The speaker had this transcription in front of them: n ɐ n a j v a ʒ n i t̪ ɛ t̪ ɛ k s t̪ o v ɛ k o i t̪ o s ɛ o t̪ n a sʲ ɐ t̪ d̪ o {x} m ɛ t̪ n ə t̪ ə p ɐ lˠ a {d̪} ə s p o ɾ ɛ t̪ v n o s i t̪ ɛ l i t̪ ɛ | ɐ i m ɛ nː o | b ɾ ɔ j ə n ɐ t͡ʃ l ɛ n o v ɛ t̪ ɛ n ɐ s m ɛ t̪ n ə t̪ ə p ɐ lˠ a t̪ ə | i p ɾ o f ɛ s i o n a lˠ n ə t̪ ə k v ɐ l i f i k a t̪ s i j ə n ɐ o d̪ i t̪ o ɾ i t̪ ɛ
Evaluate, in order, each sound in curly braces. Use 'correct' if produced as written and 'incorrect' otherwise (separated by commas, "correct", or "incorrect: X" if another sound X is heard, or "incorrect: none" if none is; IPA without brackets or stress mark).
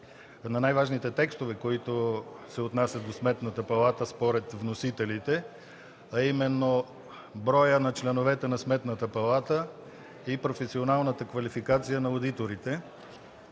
incorrect: s, incorrect: t̪